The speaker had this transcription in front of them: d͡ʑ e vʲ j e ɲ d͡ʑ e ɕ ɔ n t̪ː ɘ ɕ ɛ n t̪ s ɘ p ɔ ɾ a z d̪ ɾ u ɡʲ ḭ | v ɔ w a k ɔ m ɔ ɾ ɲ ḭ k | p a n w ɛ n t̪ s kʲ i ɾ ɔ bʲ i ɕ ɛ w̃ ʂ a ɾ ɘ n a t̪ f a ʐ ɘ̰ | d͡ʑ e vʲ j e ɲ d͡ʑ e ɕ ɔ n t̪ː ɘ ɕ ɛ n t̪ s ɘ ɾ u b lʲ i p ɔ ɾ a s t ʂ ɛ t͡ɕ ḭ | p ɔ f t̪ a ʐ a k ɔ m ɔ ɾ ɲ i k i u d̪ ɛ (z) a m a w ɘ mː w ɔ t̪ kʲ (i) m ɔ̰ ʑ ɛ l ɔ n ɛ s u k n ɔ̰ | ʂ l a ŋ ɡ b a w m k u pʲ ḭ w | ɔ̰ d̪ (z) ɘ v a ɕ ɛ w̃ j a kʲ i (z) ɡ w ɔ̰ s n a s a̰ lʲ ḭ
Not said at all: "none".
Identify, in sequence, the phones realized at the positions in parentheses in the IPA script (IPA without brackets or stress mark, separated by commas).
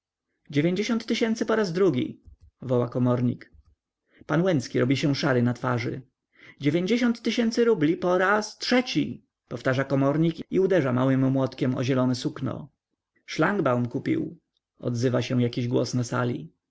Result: ʐ, ɛ, z, ʑ